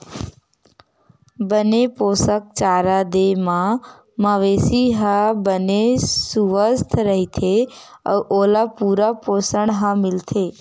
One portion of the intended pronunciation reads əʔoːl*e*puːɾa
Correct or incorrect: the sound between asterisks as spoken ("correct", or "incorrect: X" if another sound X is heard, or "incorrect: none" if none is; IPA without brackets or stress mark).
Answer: incorrect: a